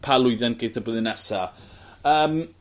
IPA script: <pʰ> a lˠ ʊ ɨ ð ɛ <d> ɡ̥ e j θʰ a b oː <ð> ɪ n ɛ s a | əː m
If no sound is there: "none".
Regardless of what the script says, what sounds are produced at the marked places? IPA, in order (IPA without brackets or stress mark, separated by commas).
pʰ, n, ð